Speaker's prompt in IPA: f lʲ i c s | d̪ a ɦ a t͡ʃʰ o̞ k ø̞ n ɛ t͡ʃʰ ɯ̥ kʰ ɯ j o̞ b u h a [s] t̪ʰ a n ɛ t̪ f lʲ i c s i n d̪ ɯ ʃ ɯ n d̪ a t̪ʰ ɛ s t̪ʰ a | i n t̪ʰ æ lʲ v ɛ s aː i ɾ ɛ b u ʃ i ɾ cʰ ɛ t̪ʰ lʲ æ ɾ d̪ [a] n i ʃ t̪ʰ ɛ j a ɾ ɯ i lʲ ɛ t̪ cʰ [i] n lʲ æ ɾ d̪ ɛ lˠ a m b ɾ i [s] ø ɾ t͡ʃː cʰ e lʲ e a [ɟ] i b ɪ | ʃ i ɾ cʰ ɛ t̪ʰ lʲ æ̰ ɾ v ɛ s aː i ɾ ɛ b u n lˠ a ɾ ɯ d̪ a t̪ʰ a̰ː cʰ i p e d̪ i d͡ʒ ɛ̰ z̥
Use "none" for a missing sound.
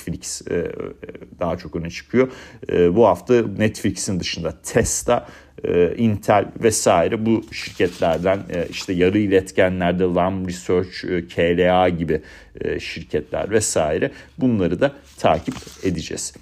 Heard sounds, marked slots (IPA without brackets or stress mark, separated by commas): f, æ, æ, s, ɟ